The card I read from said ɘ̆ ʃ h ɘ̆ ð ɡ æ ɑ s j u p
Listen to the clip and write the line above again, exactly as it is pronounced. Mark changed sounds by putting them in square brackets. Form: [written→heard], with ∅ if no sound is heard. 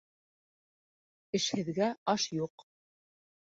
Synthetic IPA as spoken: ɘ̆ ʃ h ɘ̆ ð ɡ æ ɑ [s→ʃ] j u [p→q]